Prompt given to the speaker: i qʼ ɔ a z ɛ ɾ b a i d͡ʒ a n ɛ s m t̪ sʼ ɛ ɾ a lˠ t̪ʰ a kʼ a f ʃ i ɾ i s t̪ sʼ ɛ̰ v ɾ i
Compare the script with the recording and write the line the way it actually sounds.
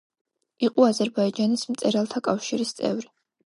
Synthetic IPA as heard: i qʼ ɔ a z ɛ ɾ b a i d͡ʒ a n i s m t̪ sʼ ɛ ɾ a lˠ t̪ʰ a kʼ a f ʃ i ɾ i s t̪ sʼ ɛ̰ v ɾ i